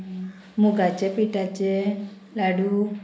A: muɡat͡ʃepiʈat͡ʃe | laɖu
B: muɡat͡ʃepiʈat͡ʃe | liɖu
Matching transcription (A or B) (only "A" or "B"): A